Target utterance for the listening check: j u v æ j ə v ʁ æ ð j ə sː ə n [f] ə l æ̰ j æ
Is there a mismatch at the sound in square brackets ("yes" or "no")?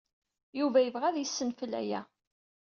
no